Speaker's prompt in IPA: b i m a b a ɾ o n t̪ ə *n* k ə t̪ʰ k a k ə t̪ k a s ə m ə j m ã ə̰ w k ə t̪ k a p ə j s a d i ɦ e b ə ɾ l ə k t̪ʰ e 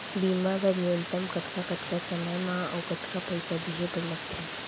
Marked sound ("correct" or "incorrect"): incorrect